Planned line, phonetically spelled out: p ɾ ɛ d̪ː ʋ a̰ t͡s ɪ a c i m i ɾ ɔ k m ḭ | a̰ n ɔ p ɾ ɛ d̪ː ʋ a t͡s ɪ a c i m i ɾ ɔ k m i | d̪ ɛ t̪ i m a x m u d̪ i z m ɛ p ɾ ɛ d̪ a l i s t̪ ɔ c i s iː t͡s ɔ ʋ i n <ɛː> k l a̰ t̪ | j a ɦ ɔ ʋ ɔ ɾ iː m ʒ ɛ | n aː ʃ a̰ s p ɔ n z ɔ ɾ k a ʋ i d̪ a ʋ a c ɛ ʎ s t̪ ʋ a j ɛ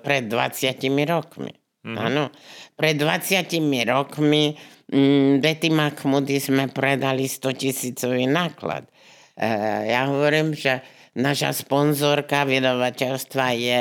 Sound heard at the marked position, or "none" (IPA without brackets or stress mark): aː